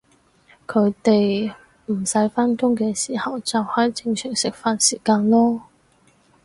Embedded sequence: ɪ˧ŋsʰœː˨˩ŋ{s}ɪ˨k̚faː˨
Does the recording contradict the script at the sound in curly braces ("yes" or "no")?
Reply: no